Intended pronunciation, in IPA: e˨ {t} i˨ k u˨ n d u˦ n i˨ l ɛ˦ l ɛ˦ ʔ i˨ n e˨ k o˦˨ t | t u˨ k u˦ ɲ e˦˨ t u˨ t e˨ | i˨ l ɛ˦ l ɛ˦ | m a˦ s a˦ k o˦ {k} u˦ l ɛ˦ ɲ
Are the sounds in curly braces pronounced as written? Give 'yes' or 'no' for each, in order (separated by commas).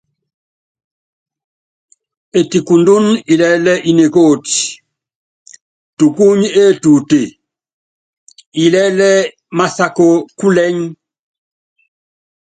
yes, yes